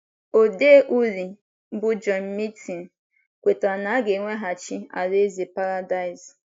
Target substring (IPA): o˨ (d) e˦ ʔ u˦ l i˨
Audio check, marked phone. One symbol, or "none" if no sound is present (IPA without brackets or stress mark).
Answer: d